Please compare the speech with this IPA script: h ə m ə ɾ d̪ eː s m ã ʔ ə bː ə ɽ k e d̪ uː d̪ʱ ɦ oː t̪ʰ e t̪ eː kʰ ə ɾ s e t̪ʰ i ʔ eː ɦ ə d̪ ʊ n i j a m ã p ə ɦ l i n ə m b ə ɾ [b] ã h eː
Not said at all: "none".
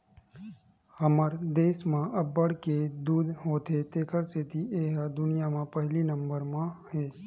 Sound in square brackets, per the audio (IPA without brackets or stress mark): m